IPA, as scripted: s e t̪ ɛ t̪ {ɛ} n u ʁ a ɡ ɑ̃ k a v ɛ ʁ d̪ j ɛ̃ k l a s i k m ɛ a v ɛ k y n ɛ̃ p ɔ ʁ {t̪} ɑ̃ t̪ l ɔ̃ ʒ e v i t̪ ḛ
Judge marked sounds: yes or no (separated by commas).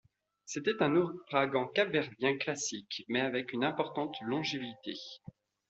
no, yes